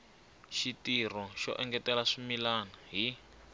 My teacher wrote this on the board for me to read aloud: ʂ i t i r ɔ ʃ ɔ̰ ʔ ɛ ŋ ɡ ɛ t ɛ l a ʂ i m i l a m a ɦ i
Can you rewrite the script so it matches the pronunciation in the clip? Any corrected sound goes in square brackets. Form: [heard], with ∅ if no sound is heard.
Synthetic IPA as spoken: [ʃ] i t i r ɔ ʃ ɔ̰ ʔ ɛ ŋ ɡ ɛ t ɛ l a ʂ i m i l a [n] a ɦ i